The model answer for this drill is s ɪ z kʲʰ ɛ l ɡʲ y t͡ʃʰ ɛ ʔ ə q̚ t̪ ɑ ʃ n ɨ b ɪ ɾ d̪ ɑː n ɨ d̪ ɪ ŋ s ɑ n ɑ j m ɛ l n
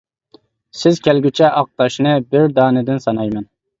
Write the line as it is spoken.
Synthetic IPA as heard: s ɪ z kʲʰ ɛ l ɡʲ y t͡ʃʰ ɛ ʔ ɑ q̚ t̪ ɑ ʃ n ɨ b ɪ ɾ d̪ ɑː n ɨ d̪ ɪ n s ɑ n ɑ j m ɛ n